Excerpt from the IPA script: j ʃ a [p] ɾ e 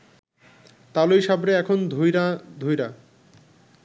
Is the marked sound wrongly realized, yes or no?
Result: yes